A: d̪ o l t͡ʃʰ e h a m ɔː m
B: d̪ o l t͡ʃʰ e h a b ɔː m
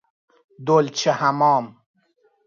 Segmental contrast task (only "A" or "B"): A